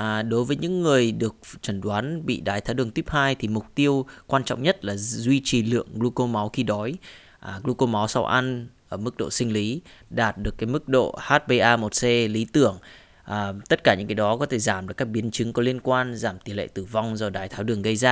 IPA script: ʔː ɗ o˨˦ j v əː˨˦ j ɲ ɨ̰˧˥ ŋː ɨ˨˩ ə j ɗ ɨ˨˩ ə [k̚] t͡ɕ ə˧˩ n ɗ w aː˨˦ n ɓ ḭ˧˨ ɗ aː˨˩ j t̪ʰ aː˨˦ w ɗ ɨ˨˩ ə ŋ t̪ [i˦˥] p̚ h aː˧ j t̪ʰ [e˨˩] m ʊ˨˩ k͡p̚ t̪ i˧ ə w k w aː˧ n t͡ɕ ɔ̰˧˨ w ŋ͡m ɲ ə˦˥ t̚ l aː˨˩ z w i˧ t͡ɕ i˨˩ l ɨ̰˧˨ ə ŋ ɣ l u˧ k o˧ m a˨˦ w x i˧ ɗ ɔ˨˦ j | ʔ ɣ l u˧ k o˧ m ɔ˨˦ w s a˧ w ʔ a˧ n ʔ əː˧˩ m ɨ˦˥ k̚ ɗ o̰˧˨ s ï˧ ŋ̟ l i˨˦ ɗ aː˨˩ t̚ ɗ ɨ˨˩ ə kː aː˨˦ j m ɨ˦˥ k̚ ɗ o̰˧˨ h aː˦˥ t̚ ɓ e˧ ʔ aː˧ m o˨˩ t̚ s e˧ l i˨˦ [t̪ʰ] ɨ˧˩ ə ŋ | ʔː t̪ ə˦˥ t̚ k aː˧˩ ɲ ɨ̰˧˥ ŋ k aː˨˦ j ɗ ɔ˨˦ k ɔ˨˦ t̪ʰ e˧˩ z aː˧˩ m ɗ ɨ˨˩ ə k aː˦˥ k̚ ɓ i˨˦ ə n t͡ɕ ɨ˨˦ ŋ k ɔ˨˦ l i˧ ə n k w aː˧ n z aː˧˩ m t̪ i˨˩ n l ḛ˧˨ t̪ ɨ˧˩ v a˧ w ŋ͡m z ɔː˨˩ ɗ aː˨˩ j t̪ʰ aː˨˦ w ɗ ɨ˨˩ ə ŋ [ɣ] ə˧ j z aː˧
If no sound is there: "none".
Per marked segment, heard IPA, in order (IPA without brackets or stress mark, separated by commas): k̚, i˦˥, i˨˩, t̪, ɣ